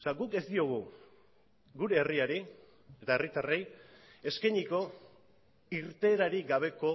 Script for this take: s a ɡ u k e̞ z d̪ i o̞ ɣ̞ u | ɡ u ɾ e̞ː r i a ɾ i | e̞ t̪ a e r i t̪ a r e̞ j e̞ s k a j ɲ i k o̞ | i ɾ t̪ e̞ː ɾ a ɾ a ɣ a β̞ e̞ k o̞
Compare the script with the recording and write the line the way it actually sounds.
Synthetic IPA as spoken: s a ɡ u k e̞ z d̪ i o̞ ɣ̞ u | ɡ u ɾ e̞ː r i a ɾ i | e̞ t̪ a e r i t̪ a r e̞ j e̞ s k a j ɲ i k o̞ | i ɾ t̪ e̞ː ɾ a ɾ i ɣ a β̞ e̞ k o̞

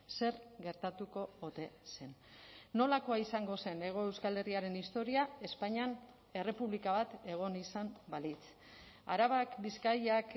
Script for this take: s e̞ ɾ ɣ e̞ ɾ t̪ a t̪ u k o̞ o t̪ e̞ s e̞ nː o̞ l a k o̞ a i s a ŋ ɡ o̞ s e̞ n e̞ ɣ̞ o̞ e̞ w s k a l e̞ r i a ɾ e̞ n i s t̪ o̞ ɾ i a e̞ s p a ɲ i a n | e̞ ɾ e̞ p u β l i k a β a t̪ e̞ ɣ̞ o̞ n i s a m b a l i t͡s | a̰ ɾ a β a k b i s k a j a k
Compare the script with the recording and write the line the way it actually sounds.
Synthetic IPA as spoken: s e̞ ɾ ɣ e̞ ɾ t̪ a t̪ u k o̞ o t̪ e̞ s e̞ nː o̞ l a k o̞ a i s a ŋ ɡ o̞ s e̞ n e̞ ɣ̞ o̞ e̞ w s k a l e̞ r i a ɾ e̞ n i s t̪ o̞ ɾ i a e̞ s p a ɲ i a n | e̞ r e̞ p u β l i k a β a t̪ e̞ ɣ̞ o̞ n i s a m b a l i t͡s | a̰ ɾ a β a k b i s k a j a k

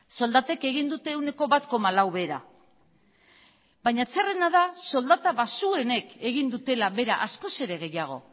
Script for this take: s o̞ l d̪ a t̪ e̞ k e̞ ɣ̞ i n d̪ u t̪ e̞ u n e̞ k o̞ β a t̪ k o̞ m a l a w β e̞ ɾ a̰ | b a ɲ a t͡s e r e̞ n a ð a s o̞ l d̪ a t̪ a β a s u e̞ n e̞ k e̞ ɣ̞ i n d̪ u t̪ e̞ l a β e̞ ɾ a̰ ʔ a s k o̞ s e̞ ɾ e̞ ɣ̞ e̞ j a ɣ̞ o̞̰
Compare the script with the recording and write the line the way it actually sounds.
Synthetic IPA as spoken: s o̞ l d̪ a t̪ e̞ k e̞ ɣ̞ i n d̪ u t̪ e̞ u n e̞ k o̞ β a t̪ k o̞ m a l a w β e̞ ɾ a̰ | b a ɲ a t͡s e r e̞ n a ð a s o̞ l d̪ a t̪ a β a s u e̞ n e̞ k e̞ ɣ̞ i n d̪ u t̪ e̞ l a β e̞ ɾ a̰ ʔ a s k o̞ s e̞ ɾ e̞ ɣ̞ e̞ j a ɣ̞ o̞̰

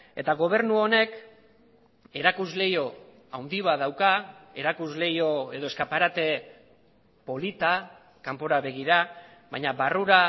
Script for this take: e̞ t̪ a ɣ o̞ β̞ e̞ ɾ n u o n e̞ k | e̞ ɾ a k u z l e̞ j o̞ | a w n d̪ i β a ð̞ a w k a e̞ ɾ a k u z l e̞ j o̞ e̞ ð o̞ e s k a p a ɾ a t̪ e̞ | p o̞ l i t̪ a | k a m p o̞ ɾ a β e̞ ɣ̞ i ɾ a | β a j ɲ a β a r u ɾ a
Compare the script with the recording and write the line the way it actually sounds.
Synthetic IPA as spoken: e̞ t̪ a ɣ o̞ β̞ e̞ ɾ n u o n e̞ k | e̞ ɾ a k u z l e̞ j o̞ | a w n d̪ i β a ð̞ a w k a e̞ ɾ a k u z l e̞ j o̞ e̞ ð o̞ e s k a p a ɾ a t̪ e̞ | p o̞ l i t̪ a | k a m p o̞ ɾ a β e̞ ɣ̞ i ɾ a | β a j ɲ a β a r u ɾ a

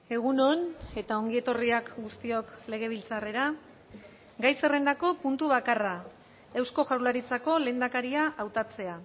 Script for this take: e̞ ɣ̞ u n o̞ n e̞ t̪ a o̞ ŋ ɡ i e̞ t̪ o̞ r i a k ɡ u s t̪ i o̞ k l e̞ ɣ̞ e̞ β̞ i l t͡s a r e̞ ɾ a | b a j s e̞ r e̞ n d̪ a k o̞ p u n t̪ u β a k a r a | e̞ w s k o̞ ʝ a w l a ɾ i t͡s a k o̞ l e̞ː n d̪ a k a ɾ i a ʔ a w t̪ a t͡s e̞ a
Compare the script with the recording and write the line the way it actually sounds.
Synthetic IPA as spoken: e̞ ɣ̞ u n o̞ n e̞ t̪ a o̞ ŋ ɡ i e̞ t̪ o̞ r i a k ɡ u s t̪ i o̞ k l e̞ ɣ̞ e̞ β̞ i l t͡s a r e̞ ɾ a | ɡ a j s e̞ r e̞ n d̪ a k o̞ p u n t̪ u β a k a r a | e̞ w s k o̞ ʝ a w l a ɾ i t͡s a k o̞ l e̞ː n d̪ a k a ɾ i a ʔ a w t̪ a t͡s e̞ a

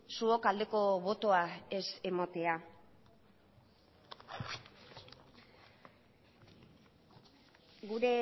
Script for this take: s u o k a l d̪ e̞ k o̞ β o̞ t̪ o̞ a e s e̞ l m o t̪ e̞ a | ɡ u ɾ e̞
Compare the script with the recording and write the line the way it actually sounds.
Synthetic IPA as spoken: s u o k a l d̪ e̞ k o̞ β o̞ t̪ o̞ a e s e̞ m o t̪ e̞ a | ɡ u ɾ e̞

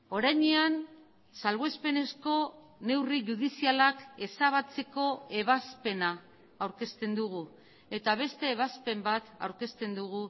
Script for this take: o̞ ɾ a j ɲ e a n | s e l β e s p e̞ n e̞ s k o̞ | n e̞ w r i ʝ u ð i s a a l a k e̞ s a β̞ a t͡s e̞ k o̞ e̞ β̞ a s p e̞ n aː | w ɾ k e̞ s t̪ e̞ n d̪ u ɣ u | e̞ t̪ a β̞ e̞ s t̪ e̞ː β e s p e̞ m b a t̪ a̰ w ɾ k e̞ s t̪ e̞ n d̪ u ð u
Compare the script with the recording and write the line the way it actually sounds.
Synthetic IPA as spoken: o̞ ɾ a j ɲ e a n | s a l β e s p e̞ n e̞ s k o̞ | n e̞ w r i ʝ u ð i s i a l a k e̞ s a β̞ a t͡s e̞ k o̞ e̞ β̞ a s p e̞ n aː | w ɾ k e̞ s t̪ e̞ n d̪ u ɣ u | e̞ t̪ a β̞ e̞ s t̪ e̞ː β a s p e̞ m b a t̪ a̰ w ɾ k e̞ s t̪ e̞ n d̪ u ɣ u

